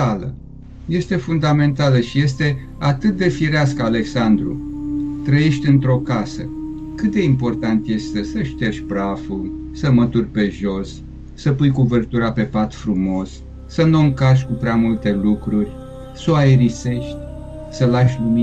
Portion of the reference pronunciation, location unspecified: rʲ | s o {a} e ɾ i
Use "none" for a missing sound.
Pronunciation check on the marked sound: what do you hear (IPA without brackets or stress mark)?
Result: a